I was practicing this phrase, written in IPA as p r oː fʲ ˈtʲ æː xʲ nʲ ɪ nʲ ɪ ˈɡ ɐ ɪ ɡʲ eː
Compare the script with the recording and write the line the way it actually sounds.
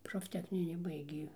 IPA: p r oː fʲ ˈtʲ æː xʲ nʲ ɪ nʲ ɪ ˈb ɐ ɪ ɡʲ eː